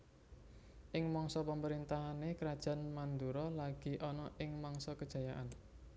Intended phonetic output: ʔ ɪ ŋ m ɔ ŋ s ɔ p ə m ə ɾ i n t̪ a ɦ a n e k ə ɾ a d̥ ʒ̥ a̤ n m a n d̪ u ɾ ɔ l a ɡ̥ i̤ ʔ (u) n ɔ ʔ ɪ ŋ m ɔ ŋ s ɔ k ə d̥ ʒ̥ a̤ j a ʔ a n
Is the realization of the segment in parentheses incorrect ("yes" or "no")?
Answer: yes